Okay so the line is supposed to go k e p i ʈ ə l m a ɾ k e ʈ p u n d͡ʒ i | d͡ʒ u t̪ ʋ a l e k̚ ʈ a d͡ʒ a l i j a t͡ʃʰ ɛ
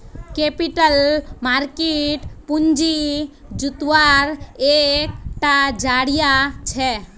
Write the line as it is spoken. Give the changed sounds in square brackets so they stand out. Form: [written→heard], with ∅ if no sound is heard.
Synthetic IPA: k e p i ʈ ə l m a ɾ k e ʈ p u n d͡ʒ i | d͡ʒ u t̪ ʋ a [l→ɾ] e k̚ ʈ a d͡ʒ a [l→ɽ] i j a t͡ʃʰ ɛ